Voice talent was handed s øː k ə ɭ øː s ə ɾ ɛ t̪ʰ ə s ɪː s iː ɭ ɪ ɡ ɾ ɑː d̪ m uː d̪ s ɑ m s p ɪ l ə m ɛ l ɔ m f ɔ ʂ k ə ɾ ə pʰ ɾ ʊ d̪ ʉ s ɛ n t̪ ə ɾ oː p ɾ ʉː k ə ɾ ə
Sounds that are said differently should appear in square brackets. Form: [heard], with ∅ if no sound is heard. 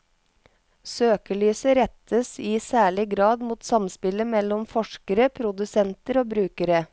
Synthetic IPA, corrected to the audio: s øː k ə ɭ [yː] s ə ɾ ɛ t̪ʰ ə s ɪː s [æː] ɭ ɪ ɡ ɾ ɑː d̪ m uː [t̪] s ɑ m s p ɪ l ə m ɛ l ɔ m f ɔ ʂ k ə ɾ ə pʰ ɾ ʊ d̪ ʉ s ɛ n t̪ ə ɾ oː [b] ɾ ʉː k ə ɾ ə

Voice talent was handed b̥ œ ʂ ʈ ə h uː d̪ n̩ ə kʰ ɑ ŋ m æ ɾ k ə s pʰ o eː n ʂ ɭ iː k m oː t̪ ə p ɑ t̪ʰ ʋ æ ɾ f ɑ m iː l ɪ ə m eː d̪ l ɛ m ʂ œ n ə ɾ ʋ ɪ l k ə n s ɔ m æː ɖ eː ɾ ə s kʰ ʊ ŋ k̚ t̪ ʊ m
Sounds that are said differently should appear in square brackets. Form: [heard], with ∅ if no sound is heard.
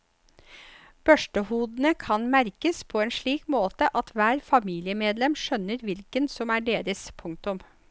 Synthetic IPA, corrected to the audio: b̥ œ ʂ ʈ ə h uː d̪ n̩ ə kʰ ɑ [n] m æ ɾ k ə s pʰ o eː n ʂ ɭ iː k m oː t̪ ə [ʔ] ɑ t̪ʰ ʋ [æː] ɾ f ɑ m iː l ɪ ə m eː d̪ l ɛ m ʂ œ n ə ɾ ʋ ɪ l k ə n s ɔ m æː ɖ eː ɾ ə s [pʰ] ʊ ŋ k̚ t̪ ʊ m

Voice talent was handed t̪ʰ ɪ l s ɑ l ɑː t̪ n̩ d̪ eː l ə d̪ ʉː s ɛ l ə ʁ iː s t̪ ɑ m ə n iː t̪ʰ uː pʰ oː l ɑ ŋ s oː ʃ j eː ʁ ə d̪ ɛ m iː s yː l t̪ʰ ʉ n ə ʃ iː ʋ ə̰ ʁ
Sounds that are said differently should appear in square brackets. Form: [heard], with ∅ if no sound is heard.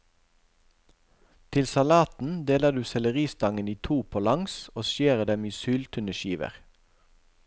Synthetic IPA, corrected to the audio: t̪ʰ ɪ l s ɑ l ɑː t̪ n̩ d̪ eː l ə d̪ ʉː s ɛ l ə ʁ iː s t̪ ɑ [ŋ] ə n iː t̪ʰ uː pʰ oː l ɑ ŋ s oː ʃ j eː ʁ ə d̪ ɛ m iː s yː l t̪ʰ ʉ n ə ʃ iː ʋ ə̰ ʁ

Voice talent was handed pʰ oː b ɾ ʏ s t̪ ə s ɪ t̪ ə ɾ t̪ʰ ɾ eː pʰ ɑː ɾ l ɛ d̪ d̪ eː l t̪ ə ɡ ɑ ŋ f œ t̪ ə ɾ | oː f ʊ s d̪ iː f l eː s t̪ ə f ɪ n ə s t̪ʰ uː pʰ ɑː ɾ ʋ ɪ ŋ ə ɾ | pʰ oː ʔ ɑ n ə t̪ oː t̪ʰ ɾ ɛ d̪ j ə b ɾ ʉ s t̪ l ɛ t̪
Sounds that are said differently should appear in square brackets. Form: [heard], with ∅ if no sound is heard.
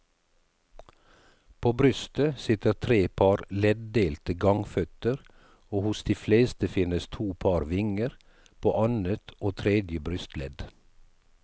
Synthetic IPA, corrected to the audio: pʰ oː b ɾ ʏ s t̪ ə s ɪ t̪ ə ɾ t̪ʰ ɾ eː pʰ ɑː ɾ l ɛ d̪ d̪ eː l t̪ ə ɡ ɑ ŋ f œ t̪ ə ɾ | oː [h] ʊ s d̪ iː f l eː s t̪ ə f ɪ n ə s t̪ʰ uː pʰ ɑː ɾ ʋ ɪ ŋ ə ɾ | pʰ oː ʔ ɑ n ə t̪ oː t̪ʰ ɾ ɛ d̪ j ə b ɾ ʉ s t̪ l ɛ [d̪]

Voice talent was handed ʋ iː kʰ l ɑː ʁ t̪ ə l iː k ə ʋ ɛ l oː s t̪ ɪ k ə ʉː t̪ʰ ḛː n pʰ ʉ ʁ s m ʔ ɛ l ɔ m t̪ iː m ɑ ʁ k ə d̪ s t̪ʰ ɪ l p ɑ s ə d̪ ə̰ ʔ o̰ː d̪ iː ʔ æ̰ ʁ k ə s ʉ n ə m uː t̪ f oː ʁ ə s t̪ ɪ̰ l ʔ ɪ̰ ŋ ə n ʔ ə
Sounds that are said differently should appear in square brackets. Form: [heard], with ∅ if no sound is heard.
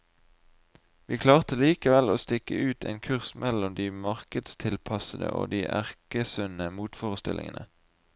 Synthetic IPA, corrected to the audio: ʋ iː kʰ l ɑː ʁ t̪ ə l iː k ə ʋ ɛ l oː s t̪ ɪ k ə ʉː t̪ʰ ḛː n [kʰ] ʉ ʁ s m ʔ ɛ l ɔ m [d̪] iː m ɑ ʁ k ə d̪ s t̪ʰ ɪ l [pʰ] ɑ s ə d̪ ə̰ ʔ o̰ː d̪ iː ʔ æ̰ ʁ k ə s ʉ n ə m uː t̪ f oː ʁ ə s t̪ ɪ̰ l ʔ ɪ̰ ŋ ə n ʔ ə

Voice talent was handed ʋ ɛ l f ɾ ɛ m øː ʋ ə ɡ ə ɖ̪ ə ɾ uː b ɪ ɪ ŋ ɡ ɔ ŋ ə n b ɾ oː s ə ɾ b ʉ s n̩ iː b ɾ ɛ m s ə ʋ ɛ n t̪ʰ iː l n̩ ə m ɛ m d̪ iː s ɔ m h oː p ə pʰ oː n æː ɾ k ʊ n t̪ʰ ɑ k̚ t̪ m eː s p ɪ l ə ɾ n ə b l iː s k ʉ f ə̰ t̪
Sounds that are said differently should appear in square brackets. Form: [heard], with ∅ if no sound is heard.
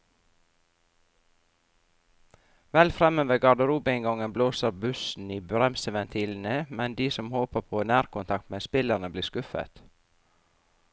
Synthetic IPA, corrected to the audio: ʋ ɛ l f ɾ ɛ m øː ʋ ə ɡ [ɑ] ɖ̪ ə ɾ uː b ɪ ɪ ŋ ɡ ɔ ŋ ə n b [l] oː s ə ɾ b ʉ s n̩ iː b ɾ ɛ m s ə ʋ ɛ n t̪ʰ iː l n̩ ə m ɛ [n] d̪ iː s ɔ m h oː p ə pʰ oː n æː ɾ k ʊ n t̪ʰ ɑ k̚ t̪ m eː s p ɪ l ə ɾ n ə b l iː s k ʉ f ə̰ t̪

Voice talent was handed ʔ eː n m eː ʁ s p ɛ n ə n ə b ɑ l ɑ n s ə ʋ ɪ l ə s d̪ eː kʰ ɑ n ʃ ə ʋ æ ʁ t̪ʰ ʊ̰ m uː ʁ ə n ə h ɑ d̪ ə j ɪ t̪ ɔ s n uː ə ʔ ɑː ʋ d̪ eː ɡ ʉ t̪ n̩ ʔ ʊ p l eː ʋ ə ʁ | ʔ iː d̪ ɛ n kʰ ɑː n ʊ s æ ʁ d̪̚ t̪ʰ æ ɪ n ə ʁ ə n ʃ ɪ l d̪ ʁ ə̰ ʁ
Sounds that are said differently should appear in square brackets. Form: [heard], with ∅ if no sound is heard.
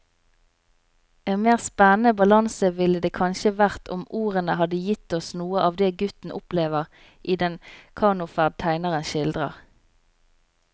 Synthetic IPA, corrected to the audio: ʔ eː n m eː ʁ s p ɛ n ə n ə b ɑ l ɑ n s ə ʋ ɪ l ə [∅] d̪ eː kʰ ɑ n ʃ ə ʋ æ ʁ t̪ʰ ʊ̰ m uː ʁ ə n ə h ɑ d̪ ə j ɪ t̪ ɔ s n uː ə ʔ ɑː ʋ d̪ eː ɡ ʉ t̪ n̩ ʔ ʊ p l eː ʋ ə ʁ | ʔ iː d̪ ɛ n kʰ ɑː n ʊ [f] æ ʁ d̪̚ t̪ʰ æ ɪ n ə ʁ ə n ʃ ɪ l d̪ ʁ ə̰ ʁ

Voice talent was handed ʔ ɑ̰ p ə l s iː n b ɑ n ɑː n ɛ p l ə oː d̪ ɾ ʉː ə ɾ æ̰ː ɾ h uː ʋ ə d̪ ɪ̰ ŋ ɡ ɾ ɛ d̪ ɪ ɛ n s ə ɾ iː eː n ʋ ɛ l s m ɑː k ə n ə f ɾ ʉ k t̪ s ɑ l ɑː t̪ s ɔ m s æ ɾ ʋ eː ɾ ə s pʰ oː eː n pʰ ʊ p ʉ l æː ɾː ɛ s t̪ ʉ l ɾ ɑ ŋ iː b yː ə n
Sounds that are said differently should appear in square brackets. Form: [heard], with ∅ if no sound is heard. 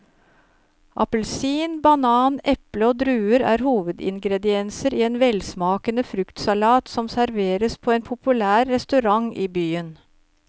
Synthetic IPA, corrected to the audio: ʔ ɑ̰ p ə l s iː n b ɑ n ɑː n ɛ p l ə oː d̪ ɾ ʉː ə ɾ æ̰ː ɾ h uː ʋ ə d̪ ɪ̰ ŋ ɡ ɾ ɛ d̪ ɪ ɛ n s ə ɾ iː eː n ʋ ɛ l s m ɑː k ə n ə f ɾ ʉ k t̪ s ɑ l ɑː t̪ s ɔ m s æ ɾ ʋ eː ɾ ə s pʰ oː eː n pʰ ʊ p ʉ l æː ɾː ɛ s t̪ ʉ [∅] ɾ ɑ ŋ iː b yː ə n

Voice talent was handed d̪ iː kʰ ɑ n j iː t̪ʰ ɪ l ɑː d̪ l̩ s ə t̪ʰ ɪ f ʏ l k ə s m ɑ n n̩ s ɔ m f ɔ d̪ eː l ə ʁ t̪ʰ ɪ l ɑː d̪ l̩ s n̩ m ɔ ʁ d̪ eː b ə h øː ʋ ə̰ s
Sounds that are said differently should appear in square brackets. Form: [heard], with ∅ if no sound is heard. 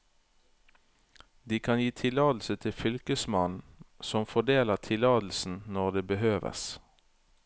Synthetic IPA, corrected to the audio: d̪ iː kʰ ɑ n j iː t̪ʰ ɪ l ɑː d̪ l̩ s ə t̪ʰ ɪ f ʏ l k ə s m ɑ n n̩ s ɔ m f ɔ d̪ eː l ə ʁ t̪ʰ ɪ l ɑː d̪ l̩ s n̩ [n] ɔ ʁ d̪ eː b ə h øː ʋ ə̰ s

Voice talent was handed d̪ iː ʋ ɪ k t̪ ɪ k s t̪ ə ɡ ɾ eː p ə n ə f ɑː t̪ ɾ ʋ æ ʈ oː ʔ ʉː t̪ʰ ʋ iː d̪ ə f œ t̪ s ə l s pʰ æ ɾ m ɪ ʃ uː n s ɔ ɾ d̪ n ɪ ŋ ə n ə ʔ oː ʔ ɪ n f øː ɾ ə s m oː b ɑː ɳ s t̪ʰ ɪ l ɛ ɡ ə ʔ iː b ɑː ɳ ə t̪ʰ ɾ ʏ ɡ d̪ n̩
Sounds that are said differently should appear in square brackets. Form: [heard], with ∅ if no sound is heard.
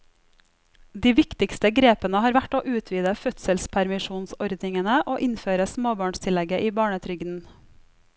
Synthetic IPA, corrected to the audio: d̪ iː ʋ ɪ k t̪ ɪ k s t̪ ə ɡ ɾ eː p ə n ə [h] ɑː [∅] ɾ ʋ æ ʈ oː ʔ ʉː t̪ʰ ʋ iː d̪ ə f œ t̪ s ə l s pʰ æ ɾ m ɪ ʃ uː n s ɔ ɾ d̪ n ɪ ŋ ə n ə ʔ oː ʔ ɪ n f øː ɾ ə s m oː b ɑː ɳ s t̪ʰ ɪ l ɛ ɡ ə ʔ iː b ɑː ɳ ə t̪ʰ ɾ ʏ ɡ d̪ n̩

